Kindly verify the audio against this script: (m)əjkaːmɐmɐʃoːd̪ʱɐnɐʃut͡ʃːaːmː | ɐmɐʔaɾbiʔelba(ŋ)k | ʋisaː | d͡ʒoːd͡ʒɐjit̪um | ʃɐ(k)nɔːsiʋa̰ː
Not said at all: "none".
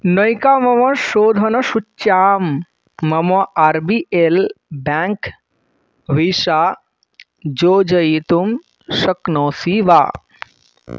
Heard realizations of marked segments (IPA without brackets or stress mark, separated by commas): n, ŋ, k